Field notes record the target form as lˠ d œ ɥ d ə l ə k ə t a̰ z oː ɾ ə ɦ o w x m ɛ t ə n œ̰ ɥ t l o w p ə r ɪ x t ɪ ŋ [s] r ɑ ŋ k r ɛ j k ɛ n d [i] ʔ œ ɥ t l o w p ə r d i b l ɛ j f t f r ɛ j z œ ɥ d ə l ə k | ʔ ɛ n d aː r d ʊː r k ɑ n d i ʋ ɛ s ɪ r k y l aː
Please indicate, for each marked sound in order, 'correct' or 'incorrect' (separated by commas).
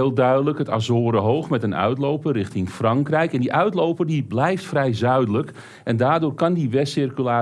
incorrect, correct